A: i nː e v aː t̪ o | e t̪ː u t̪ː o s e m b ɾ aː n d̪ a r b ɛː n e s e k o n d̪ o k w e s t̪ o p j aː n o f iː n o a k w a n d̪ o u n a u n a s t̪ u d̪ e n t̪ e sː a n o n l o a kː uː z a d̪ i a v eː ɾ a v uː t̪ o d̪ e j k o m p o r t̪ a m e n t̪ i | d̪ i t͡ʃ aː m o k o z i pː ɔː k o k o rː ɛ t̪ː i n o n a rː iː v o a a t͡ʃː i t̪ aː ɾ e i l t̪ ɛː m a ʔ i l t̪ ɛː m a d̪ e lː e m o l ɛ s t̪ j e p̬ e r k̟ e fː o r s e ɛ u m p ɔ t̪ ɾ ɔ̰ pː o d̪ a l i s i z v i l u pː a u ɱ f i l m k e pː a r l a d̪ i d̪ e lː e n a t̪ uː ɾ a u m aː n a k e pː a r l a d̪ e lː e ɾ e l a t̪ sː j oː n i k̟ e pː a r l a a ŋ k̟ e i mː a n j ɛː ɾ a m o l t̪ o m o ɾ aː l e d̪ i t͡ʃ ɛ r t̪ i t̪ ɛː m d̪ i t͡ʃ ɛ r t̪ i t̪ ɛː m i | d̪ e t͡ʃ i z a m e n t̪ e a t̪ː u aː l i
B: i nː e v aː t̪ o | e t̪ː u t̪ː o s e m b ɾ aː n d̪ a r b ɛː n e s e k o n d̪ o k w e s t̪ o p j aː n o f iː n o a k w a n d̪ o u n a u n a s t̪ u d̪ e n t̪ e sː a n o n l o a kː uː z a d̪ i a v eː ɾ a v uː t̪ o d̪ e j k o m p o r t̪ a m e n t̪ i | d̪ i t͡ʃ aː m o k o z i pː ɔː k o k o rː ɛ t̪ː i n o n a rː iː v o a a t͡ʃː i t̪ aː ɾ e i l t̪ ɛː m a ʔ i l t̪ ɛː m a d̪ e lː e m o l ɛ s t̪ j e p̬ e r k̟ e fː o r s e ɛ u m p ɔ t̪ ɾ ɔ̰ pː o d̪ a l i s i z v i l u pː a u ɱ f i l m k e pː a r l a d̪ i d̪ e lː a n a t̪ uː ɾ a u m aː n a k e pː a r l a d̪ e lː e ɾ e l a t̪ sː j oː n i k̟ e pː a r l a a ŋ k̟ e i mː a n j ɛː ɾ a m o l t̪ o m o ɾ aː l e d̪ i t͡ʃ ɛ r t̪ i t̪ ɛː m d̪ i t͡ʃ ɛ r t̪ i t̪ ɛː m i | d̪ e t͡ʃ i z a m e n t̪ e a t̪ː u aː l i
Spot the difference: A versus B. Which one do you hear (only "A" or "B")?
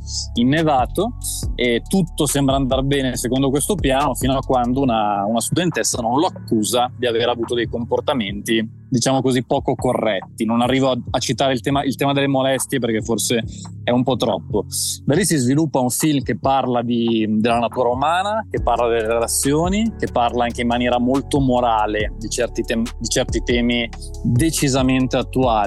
B